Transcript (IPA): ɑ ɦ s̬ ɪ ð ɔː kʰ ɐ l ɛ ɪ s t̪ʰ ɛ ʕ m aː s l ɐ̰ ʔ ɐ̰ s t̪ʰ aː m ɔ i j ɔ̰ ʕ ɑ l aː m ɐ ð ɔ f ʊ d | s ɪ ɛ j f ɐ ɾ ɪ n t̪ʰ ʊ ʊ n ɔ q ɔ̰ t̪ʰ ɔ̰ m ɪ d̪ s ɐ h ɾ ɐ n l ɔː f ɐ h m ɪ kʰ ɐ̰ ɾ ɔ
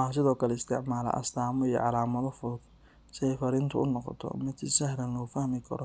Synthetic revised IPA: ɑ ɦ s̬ ɪ ð ɔː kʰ ɐ l ɛ ɪ s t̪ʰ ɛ ʕ m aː l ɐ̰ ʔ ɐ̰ s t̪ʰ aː m ɔ i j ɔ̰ ʕ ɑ l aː m ɐ ð ɔ f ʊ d | s ɪ ɛ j f ɐ ɾ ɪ n t̪ʰ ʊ ʊ n ɔ q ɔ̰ t̪ʰ ɔ̰ m ɪ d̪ s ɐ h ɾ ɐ n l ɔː f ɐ h m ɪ kʰ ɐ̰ ɾ ɔ